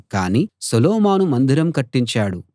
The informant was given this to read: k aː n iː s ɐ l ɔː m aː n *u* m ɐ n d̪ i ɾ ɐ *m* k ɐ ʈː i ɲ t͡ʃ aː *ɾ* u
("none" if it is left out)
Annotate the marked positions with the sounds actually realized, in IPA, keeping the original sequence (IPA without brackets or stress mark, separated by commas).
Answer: u, m, ɽ